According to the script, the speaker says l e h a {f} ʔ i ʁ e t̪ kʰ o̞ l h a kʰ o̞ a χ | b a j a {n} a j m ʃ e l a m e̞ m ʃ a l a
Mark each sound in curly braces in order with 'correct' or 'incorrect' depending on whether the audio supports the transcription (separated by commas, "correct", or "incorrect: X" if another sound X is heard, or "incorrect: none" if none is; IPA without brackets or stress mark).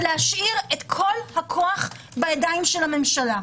incorrect: ʃ, incorrect: d